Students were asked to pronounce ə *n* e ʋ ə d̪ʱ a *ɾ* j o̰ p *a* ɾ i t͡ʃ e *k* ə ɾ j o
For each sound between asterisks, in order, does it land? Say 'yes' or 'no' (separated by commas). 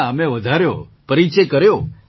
no, yes, no, yes